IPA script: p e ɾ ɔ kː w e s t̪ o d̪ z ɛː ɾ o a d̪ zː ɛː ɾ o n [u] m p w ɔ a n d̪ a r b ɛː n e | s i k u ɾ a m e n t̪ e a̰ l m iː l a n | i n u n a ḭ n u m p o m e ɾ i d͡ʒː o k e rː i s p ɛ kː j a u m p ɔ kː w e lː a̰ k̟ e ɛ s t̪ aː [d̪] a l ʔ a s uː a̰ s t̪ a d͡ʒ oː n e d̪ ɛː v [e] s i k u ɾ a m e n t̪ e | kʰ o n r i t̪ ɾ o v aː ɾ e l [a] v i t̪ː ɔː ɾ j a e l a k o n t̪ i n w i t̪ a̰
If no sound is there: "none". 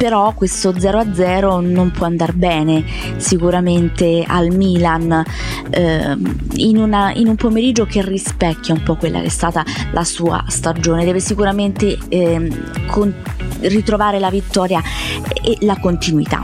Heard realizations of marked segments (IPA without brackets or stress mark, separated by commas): o, t̪, e, a